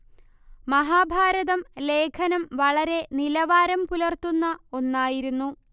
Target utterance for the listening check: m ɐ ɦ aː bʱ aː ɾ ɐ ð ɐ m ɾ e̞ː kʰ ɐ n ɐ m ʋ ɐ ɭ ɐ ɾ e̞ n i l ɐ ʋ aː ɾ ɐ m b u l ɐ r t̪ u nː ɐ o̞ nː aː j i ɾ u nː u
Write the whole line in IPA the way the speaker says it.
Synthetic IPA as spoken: m ɐ ɦ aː bʱ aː ɾ ɐ ð ɐ m l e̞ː kʰ ɐ n ɐ m ʋ ɐ ɭ ɐ ɾ e̞ n i l ɐ ʋ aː ɾ ɐ m p u l ɐ r t̪ u nː ɐ o̞ nː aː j i ɾ u nː u